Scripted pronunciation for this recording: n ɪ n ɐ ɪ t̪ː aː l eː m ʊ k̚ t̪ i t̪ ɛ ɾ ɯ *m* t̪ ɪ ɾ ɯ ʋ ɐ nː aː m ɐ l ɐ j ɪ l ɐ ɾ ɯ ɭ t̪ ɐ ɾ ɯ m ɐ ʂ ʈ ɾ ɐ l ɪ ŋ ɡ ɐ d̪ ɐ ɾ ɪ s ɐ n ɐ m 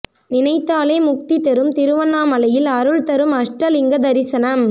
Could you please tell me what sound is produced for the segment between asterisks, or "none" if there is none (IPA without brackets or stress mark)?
m